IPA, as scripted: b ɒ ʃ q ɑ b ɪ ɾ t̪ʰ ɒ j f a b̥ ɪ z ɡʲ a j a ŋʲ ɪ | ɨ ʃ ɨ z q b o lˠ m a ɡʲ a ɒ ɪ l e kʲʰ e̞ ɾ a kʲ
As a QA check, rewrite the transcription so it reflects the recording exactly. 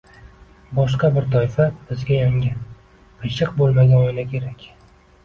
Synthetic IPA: b ɒ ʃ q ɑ b ɪ ɾ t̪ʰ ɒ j f a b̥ ɪ z ɡʲ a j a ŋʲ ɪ | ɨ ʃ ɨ q b o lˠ m a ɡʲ a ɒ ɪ l a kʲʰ e̞ ɾ a kʲ